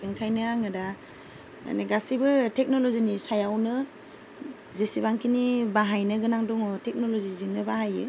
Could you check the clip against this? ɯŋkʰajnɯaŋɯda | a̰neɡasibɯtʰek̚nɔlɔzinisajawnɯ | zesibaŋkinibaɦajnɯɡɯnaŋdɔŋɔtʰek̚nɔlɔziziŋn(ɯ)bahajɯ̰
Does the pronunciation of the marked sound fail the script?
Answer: no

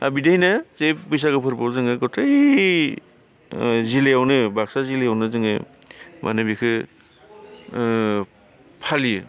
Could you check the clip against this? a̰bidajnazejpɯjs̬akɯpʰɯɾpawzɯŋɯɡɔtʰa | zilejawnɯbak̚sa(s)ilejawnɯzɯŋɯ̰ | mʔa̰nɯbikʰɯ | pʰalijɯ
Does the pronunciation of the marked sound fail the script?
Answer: yes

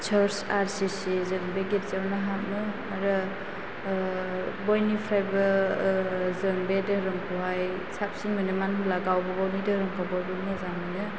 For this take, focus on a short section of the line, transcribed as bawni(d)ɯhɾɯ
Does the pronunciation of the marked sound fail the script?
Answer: no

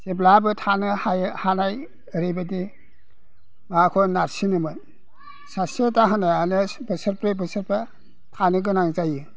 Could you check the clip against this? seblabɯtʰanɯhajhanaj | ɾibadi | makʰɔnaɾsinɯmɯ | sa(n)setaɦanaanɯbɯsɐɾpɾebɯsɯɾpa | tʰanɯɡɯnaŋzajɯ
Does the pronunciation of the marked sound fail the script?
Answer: yes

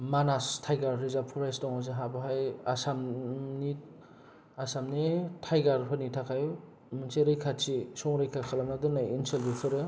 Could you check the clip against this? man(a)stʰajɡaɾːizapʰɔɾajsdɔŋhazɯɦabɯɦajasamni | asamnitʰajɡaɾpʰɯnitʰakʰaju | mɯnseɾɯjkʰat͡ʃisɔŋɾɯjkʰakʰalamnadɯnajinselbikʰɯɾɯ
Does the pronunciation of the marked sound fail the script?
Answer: no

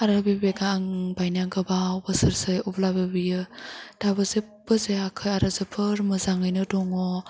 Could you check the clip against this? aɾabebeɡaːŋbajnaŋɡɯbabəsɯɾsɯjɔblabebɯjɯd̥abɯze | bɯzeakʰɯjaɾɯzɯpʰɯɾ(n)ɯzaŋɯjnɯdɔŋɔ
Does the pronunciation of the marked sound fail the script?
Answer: yes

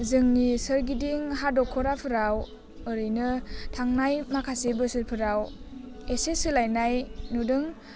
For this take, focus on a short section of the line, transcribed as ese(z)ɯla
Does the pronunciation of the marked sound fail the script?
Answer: yes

